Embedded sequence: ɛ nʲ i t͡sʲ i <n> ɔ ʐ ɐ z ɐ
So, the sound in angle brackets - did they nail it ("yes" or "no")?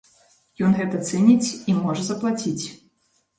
no